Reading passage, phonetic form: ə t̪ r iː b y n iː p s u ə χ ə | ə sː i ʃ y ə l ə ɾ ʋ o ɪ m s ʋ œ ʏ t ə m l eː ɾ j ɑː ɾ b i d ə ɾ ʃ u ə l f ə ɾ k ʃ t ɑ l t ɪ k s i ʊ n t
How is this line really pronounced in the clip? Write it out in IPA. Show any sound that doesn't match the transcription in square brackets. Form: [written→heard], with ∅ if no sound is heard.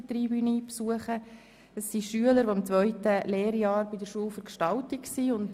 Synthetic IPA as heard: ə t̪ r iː b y n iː p s u ə χ ə | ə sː i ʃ y ə l ə ɾ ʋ o ɪ m [s→t͡s] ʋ œ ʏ t ə [m→∅] l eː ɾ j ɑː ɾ b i d ə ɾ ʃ u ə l f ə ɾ k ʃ t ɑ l t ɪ k s i ʊ n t

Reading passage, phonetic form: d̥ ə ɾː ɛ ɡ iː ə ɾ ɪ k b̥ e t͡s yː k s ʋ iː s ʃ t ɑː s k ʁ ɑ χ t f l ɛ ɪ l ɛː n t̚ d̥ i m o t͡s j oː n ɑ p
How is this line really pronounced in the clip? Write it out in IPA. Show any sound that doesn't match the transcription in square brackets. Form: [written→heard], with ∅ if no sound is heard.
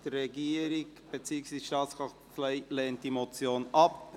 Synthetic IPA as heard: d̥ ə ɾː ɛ ɡ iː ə ɾ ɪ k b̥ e t͡s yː k s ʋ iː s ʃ t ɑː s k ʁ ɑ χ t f l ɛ ɪ l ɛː n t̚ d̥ i m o t͡s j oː n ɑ p

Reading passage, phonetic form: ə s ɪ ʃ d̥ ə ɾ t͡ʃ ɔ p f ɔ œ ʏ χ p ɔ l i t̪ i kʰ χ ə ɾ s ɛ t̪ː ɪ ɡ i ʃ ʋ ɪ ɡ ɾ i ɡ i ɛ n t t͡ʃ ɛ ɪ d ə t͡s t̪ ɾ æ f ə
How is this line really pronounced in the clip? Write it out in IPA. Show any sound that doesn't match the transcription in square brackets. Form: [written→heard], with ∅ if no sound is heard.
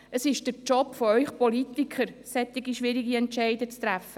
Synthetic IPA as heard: ə s ɪ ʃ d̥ ə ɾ t͡ʃ ɔ p f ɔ œ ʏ χ p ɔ l i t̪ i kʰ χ ə ɾ s ɛ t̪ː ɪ ɡ i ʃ ʋ ɪ [ɡ→∅] ɾ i ɡ i ɛ n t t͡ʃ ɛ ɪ d ə t͡s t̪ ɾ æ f ə

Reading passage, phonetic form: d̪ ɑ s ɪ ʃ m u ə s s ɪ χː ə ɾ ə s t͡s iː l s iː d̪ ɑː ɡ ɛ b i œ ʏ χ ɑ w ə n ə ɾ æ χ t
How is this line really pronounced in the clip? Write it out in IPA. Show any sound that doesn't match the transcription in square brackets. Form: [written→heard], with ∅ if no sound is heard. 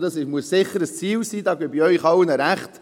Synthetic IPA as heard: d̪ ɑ s ɪ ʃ m u ə s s ɪ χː ə ɾ ə s t͡s iː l s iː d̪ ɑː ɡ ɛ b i œ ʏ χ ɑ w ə n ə ɾ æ χ t

